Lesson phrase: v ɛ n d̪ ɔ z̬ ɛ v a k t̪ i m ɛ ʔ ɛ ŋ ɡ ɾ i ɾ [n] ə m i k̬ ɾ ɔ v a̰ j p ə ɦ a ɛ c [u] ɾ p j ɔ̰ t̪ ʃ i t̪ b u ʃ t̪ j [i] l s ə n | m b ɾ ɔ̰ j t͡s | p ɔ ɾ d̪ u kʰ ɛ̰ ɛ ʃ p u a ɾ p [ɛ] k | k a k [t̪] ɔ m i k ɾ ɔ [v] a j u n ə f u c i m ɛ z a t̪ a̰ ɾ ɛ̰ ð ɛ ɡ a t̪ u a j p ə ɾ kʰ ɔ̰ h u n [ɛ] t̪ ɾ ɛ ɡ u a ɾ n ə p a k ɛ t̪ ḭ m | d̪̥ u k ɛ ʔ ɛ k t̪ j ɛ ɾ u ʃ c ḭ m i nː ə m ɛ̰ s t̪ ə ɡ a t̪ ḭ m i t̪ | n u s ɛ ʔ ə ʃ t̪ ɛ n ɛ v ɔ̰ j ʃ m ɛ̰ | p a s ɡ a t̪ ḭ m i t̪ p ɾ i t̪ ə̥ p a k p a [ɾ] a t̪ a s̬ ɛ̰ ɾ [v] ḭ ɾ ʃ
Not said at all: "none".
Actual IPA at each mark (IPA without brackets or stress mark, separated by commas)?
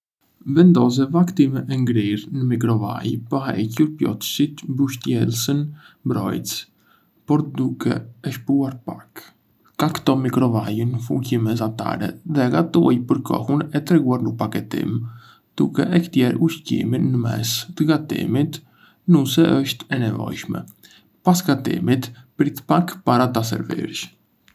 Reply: n, u, ɛ, a, t̪, v, ɛ, ɾ, v